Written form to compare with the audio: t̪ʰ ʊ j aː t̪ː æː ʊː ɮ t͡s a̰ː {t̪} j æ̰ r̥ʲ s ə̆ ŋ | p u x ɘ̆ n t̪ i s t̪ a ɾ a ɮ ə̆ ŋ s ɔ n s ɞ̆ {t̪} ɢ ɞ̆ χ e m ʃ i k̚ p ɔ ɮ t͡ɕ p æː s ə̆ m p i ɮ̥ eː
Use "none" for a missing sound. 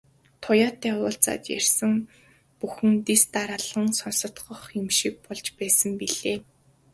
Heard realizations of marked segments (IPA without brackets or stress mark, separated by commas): t̪, t̪